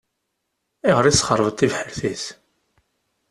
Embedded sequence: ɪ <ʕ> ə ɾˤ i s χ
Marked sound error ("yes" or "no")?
yes